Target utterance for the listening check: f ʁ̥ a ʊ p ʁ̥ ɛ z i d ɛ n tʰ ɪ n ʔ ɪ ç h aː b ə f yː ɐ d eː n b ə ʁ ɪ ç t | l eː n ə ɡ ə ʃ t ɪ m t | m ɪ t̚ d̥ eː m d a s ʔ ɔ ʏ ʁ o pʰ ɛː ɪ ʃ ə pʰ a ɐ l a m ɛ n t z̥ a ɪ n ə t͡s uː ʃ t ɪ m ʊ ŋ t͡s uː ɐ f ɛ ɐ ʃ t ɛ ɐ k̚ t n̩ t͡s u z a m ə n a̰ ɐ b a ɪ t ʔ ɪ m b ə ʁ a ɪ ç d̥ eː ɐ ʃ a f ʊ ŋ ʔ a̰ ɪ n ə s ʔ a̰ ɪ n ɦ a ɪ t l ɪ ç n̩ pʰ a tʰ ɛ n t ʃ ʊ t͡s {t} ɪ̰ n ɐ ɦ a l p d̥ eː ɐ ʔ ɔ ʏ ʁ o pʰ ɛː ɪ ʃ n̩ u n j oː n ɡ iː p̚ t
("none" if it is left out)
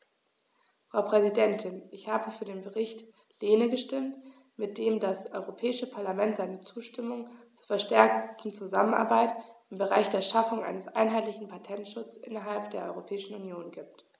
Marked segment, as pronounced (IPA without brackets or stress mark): ʔ